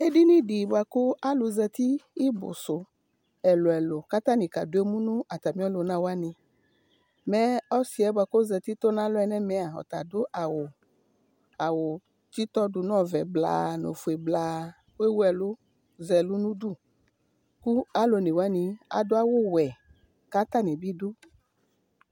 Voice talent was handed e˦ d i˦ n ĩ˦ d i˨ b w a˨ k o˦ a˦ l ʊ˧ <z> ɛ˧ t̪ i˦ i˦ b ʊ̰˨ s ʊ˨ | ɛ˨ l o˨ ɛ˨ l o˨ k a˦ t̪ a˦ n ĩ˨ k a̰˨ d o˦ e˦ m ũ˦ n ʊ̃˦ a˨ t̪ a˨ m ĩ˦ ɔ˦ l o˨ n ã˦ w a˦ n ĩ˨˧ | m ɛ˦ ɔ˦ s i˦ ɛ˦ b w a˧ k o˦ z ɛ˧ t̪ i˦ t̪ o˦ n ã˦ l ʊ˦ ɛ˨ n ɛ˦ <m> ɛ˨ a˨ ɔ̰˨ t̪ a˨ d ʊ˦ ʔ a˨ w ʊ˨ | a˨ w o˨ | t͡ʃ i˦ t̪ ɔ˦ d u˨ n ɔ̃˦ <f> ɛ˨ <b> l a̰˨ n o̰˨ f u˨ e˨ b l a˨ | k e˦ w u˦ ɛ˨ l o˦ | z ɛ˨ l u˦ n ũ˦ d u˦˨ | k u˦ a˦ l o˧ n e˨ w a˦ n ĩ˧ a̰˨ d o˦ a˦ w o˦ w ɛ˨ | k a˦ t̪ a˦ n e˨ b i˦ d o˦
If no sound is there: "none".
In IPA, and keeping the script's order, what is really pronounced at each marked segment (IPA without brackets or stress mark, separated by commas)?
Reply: z, m, v, b